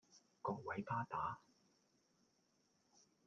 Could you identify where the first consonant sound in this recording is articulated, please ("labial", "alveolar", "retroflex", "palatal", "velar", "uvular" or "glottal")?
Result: velar